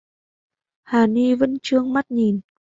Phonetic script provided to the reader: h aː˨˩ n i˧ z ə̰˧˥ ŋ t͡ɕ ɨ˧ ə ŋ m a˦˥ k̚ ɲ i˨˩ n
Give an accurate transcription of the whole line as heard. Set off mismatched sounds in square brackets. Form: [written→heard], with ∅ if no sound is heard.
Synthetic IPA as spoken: h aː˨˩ n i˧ [z→v] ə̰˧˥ [ŋ→n] t͡ɕ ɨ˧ ə ŋ m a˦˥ [k̚→t̚] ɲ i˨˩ n